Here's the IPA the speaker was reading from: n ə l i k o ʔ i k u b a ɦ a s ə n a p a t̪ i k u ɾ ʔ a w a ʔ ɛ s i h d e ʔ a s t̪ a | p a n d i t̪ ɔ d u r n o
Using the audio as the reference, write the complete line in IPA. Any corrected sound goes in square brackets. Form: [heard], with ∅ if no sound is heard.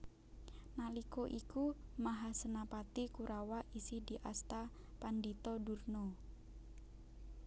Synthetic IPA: n [a] l i k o ʔ i k u [m] a ɦ a s ə n a p a t̪ i k u ɾ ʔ a w a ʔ [i] s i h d [i] ʔ a s t̪ a | p a n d i t̪ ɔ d u r n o